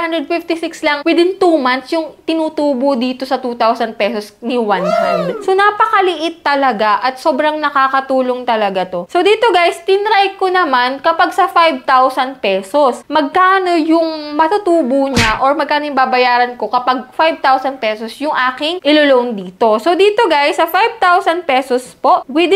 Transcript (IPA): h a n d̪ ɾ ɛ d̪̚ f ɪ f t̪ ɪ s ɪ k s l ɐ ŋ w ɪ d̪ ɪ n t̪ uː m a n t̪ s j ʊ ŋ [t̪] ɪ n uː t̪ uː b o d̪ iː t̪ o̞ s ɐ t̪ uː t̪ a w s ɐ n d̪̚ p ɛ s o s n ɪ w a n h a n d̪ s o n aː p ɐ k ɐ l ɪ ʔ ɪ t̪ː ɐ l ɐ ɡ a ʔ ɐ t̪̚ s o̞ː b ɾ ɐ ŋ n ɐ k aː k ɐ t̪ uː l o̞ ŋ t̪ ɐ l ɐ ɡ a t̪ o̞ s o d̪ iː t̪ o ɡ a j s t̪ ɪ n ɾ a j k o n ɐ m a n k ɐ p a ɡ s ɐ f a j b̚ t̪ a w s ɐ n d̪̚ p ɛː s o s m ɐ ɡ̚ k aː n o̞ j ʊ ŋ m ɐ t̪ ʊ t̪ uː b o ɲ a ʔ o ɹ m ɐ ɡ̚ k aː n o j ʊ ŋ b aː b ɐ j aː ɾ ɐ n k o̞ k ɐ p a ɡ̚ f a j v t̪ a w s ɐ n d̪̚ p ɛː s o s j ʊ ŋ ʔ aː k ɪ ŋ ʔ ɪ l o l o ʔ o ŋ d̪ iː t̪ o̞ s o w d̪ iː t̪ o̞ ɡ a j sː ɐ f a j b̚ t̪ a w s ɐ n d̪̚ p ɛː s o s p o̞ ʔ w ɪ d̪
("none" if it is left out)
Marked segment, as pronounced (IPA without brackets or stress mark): t̪